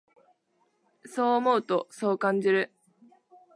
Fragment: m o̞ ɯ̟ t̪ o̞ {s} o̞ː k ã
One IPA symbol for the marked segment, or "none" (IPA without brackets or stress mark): s